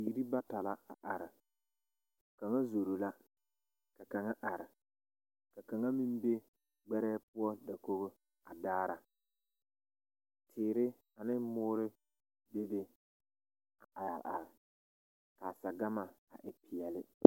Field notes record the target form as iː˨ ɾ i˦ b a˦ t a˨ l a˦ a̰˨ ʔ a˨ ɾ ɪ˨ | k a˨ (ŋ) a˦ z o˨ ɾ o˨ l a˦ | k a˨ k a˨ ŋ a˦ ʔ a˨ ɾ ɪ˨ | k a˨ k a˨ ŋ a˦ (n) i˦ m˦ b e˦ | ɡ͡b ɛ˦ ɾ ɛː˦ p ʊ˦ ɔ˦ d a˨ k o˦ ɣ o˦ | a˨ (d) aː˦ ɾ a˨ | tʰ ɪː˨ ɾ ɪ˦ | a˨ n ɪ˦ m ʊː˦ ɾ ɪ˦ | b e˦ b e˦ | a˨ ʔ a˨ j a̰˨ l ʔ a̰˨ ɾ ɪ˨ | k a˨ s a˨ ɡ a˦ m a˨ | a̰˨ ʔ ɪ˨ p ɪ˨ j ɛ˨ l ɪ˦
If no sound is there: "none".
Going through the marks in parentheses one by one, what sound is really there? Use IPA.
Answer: ŋ, m, d

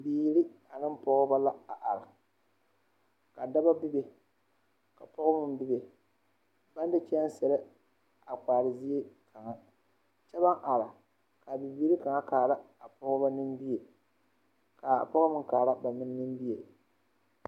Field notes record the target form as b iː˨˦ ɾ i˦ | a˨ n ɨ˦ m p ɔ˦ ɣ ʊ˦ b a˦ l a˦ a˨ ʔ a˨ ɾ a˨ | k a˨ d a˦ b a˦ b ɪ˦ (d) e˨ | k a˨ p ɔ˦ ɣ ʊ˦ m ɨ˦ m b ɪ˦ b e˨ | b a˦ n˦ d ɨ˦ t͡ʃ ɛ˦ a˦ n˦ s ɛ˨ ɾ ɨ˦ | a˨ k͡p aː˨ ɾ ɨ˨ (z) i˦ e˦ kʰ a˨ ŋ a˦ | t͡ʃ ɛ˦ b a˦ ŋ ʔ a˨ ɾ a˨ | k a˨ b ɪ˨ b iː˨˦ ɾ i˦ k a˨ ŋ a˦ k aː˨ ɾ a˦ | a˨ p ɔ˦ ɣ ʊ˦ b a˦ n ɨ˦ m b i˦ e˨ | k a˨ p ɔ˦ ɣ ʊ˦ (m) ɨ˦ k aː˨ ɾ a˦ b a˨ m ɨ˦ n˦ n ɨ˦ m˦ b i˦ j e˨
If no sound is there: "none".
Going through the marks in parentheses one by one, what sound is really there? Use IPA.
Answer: b, z, m

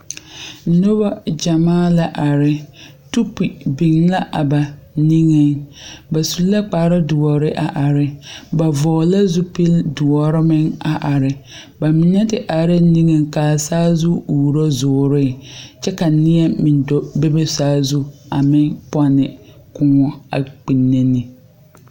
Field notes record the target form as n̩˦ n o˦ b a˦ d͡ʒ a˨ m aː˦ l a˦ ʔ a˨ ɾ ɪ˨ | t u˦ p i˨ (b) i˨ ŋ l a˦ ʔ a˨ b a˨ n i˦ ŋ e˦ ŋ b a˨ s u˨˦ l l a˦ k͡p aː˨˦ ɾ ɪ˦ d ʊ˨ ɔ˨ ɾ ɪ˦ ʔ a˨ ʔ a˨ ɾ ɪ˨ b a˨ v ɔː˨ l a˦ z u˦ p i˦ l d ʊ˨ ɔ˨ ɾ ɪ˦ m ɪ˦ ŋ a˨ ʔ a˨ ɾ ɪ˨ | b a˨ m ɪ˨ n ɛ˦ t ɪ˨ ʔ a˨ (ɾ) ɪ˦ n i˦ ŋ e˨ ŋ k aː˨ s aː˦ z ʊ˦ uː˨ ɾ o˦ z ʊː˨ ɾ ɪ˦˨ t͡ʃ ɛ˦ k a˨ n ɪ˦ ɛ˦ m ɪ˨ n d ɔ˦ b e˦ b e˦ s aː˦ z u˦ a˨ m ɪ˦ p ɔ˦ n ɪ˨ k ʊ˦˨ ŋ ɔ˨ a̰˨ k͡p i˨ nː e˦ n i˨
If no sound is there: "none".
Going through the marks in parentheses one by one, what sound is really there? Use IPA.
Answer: b, ɾ

